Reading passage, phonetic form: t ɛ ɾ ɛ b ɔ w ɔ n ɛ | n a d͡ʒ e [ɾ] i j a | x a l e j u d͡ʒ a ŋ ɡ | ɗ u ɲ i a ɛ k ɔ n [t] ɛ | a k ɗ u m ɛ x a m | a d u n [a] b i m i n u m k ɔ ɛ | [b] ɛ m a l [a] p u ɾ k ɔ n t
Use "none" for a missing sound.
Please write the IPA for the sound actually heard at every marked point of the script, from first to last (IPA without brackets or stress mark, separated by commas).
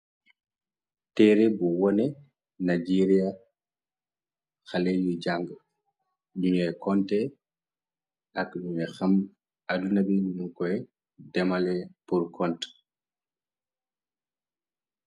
ɾ, t, a, d, ɛ